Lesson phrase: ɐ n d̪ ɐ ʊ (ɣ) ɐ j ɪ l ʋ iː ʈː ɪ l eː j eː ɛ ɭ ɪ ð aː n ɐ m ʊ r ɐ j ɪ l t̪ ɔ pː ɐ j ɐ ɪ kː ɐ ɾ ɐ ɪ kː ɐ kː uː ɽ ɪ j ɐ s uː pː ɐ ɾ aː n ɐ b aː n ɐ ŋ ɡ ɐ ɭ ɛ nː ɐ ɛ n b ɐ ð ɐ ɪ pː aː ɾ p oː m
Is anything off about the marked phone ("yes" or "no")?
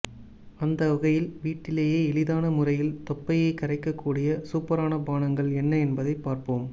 no